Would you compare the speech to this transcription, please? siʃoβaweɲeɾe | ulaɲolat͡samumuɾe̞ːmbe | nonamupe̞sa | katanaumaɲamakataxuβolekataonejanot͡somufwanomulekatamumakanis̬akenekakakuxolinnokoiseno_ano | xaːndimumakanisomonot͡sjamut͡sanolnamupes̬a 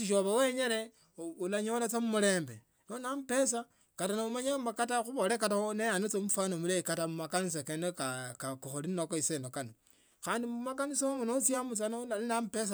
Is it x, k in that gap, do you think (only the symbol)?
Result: k